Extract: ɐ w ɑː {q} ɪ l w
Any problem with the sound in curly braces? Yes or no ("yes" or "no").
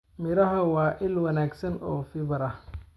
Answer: yes